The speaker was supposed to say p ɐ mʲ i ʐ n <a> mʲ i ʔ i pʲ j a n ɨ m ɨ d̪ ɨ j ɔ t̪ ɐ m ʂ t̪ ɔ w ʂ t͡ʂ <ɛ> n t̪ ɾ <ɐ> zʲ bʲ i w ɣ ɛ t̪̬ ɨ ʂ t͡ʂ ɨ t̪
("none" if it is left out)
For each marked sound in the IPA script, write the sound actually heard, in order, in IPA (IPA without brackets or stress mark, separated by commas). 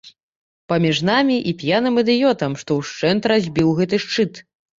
a, ɛ, a